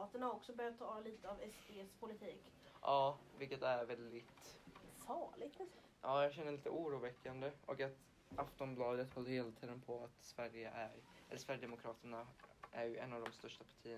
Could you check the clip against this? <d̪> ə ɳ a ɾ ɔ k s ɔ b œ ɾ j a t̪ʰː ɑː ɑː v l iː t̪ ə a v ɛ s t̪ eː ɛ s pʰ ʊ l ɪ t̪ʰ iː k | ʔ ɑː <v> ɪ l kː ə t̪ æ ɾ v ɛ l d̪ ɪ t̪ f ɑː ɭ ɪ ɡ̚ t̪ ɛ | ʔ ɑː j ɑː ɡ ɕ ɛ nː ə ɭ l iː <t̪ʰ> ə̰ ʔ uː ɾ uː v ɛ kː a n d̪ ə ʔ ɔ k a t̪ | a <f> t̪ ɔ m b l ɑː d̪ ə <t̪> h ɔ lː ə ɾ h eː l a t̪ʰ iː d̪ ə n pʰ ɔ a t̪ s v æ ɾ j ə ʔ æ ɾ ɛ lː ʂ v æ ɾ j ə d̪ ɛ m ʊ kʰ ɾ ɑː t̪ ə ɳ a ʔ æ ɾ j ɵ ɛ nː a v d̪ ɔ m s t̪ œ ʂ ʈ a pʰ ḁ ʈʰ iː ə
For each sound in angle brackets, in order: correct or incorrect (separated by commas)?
incorrect, correct, incorrect, correct, correct